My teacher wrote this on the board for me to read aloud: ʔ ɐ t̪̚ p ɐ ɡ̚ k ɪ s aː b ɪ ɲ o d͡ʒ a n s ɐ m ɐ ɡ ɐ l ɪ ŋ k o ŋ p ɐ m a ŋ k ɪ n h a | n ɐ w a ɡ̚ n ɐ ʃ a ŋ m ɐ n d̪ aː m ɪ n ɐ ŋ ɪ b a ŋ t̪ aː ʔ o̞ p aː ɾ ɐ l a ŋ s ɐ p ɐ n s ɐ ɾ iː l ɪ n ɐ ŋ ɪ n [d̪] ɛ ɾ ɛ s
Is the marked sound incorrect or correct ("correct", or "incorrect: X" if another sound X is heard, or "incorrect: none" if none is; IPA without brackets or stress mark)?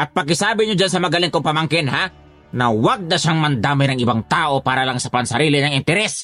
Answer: incorrect: t̪